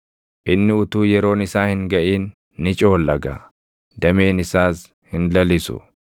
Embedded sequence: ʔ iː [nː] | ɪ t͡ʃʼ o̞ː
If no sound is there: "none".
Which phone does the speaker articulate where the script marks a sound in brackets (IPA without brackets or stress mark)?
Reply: nː